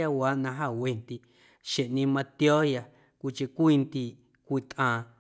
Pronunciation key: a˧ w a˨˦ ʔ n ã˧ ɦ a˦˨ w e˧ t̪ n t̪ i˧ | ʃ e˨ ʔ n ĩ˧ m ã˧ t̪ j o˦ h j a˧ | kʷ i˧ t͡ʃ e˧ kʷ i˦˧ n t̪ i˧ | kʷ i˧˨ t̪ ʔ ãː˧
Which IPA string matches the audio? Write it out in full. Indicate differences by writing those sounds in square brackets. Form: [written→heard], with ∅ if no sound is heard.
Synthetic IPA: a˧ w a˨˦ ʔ n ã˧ ɦ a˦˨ w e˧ [t̪→∅] n t̪ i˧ | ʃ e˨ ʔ n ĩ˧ m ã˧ t̪ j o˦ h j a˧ | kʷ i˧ t͡ʃ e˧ kʷ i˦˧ n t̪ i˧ | kʷ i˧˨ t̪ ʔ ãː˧